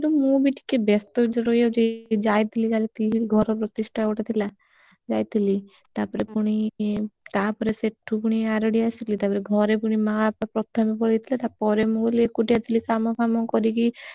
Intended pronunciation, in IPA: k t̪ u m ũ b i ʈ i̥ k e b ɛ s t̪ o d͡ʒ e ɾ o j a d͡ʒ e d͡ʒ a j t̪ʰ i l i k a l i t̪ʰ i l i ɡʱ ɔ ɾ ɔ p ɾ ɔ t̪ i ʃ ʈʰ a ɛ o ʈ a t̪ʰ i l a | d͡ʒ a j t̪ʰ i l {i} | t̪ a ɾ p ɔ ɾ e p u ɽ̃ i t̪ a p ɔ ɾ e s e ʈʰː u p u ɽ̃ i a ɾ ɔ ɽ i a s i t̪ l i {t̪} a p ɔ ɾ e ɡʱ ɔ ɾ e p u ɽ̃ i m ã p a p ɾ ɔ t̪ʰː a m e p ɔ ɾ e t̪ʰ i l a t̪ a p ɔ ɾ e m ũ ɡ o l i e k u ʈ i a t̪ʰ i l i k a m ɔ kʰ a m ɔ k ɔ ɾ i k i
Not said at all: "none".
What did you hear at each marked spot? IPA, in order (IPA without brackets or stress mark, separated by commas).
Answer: i, t̪